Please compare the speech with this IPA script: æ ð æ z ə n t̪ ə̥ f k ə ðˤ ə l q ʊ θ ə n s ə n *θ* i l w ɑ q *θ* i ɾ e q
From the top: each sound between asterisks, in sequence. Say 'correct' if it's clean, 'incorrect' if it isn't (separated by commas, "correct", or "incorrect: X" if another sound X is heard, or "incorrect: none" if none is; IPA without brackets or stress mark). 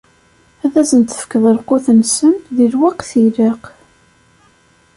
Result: incorrect: ð, correct